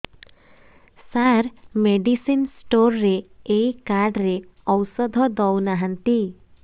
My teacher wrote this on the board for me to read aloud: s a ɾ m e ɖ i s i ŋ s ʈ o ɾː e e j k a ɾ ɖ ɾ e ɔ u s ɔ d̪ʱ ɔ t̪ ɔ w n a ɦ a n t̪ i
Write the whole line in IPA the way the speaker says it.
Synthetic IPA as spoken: s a ɾ m e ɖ i s i n s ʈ o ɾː e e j k a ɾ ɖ ɾ e ɔ w s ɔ d̪ʱ ɔ d̪ ɔ w n a ɦ a n t̪ i